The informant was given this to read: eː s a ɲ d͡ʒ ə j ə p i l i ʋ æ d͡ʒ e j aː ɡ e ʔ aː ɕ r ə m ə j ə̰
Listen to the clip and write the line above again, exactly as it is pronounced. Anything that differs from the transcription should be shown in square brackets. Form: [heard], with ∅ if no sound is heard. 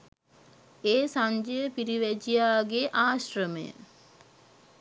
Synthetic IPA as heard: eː s a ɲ d͡ʒ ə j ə p i [ɾ] i ʋ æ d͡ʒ [i] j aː ɡ e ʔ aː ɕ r ə m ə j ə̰